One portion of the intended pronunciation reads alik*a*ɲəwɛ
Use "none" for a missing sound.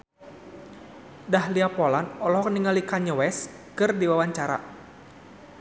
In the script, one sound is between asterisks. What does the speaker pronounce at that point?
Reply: a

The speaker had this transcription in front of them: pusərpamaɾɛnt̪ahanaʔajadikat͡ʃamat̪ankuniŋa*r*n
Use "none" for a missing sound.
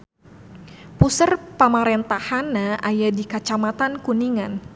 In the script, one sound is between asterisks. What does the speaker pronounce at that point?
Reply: none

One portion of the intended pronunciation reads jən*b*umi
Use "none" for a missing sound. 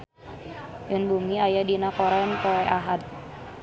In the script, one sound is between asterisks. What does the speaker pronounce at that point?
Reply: b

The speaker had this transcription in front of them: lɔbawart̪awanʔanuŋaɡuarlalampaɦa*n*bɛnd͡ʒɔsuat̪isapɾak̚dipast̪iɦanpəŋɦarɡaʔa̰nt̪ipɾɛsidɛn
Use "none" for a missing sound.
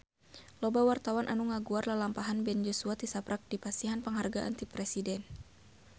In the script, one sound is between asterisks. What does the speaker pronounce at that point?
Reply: n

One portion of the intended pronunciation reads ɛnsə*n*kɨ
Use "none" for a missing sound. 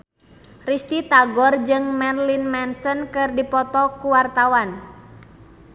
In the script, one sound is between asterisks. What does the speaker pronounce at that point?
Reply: n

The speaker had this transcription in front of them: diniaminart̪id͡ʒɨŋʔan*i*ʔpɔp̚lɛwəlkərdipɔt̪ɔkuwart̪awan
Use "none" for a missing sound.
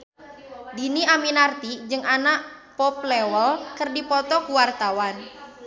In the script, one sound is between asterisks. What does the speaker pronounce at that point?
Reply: a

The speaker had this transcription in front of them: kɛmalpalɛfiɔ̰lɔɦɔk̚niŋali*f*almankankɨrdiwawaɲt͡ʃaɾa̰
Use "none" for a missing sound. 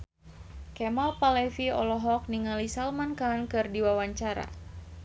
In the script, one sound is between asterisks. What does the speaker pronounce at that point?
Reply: s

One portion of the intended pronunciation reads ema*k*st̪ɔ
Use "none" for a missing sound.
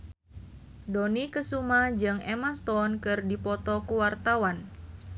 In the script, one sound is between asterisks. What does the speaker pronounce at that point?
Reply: none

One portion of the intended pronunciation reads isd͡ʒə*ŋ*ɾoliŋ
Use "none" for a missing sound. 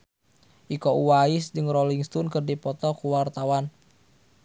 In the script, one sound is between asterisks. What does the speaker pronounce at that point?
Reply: ŋ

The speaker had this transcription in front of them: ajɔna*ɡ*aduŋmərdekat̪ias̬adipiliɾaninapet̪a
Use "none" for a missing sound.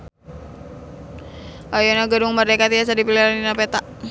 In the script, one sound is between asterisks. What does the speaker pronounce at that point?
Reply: ɡ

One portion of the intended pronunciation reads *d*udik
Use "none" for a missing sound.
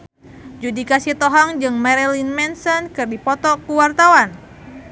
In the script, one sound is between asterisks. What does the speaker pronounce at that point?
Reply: d͡ʒ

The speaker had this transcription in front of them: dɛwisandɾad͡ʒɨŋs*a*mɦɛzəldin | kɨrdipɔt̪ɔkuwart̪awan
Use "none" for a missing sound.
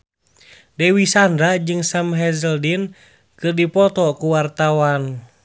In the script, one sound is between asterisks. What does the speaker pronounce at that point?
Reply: a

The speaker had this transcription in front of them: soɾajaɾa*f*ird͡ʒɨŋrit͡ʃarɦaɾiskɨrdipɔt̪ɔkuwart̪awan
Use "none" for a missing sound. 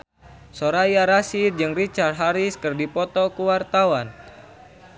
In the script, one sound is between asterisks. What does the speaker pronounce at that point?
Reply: s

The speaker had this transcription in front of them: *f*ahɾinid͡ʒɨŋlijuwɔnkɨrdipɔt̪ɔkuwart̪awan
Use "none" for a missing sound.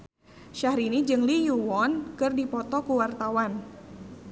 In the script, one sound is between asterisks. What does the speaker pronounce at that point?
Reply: ʃ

